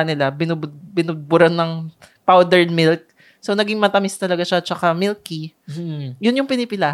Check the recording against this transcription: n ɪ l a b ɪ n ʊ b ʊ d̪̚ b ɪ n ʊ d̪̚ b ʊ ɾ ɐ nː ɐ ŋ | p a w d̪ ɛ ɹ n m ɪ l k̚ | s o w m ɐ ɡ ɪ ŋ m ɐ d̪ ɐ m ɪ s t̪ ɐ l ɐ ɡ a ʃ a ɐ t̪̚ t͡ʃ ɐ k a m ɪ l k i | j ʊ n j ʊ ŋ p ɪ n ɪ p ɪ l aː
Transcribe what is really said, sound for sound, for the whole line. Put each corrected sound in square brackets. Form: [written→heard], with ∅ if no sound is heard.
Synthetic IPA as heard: n ɪ l a b ɪ n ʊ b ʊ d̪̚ b ɪ n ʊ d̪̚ b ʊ ɾ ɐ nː ɐ ŋ | p a w d̪ ɛ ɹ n m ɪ l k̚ | s o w [m→n] ɐ ɡ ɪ ŋ m ɐ [d̪→t̪] ɐ m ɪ s t̪ ɐ l ɐ ɡ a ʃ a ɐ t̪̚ t͡ʃ ɐ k a m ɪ l k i | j ʊ n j ʊ ŋ p ɪ n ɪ p ɪ l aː